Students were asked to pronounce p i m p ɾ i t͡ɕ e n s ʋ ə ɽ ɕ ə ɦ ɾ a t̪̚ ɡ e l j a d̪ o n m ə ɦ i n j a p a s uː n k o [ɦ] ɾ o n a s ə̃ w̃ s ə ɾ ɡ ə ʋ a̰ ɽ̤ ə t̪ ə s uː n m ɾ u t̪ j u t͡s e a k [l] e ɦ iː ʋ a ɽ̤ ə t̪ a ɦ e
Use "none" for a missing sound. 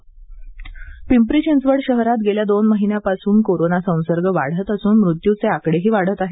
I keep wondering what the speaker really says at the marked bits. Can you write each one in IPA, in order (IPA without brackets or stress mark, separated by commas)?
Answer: none, ɽ